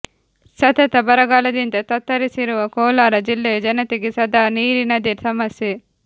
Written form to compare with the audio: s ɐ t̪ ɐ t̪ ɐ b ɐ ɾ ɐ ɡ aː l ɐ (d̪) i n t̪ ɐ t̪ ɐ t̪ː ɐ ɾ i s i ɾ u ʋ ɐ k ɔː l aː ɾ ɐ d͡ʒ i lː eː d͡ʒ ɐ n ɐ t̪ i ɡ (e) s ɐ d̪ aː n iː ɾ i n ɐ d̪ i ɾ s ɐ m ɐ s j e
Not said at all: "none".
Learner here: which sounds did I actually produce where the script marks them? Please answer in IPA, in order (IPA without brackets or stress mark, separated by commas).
d̪, i